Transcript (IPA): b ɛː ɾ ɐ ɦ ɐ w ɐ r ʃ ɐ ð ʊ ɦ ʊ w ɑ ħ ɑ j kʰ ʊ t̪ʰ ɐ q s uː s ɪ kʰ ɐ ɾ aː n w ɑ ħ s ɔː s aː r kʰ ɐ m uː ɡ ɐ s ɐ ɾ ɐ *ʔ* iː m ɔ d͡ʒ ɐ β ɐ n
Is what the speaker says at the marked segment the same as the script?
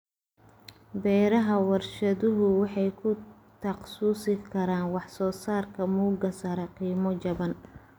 no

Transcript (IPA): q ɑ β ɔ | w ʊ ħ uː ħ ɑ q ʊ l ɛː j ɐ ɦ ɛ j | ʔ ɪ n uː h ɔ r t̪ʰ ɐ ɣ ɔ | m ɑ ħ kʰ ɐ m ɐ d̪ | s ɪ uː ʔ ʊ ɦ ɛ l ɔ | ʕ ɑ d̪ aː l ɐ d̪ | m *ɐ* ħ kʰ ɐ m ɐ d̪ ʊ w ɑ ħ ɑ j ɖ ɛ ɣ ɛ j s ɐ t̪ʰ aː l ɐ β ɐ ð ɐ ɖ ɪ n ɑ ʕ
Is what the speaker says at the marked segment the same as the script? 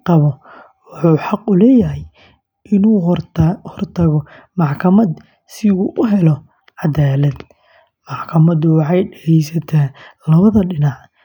no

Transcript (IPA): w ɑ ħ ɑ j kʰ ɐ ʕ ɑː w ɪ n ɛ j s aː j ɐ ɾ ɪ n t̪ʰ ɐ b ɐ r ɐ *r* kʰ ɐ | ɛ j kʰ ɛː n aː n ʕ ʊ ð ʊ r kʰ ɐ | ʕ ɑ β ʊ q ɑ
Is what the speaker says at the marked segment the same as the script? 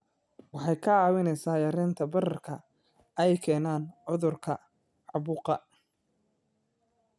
yes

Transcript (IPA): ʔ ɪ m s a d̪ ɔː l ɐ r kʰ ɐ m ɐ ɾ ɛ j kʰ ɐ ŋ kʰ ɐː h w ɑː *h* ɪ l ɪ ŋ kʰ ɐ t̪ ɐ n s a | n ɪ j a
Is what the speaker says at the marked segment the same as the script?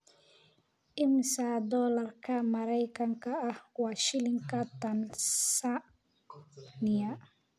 no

